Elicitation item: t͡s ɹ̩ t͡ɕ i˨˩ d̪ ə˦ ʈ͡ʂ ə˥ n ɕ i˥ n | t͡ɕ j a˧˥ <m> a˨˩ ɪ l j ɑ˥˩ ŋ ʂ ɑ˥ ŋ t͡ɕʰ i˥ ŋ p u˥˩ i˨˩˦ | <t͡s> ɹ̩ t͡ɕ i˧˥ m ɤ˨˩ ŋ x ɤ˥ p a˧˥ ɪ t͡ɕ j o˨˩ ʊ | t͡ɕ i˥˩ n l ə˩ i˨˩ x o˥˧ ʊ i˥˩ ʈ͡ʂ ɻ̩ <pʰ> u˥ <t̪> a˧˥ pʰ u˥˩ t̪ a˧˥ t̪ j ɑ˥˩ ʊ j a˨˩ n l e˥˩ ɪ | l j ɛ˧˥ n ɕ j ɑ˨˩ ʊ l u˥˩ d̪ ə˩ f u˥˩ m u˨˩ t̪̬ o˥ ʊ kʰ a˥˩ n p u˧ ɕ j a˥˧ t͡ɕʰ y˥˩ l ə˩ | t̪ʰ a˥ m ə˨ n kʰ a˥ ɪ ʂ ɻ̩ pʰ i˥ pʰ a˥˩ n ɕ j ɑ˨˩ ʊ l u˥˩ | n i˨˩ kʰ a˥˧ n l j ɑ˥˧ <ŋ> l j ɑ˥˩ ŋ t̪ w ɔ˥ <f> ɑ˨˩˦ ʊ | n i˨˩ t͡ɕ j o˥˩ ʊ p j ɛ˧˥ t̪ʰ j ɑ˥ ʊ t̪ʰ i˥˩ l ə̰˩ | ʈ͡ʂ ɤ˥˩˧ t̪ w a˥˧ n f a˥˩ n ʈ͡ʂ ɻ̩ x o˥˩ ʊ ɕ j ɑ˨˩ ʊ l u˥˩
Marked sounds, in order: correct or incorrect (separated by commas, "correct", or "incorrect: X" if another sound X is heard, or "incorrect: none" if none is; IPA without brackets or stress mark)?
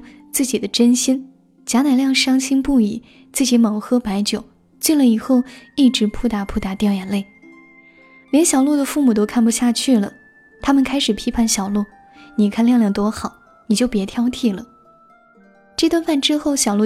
incorrect: n, correct, correct, correct, correct, incorrect: x